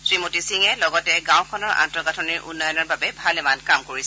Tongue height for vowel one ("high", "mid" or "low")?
high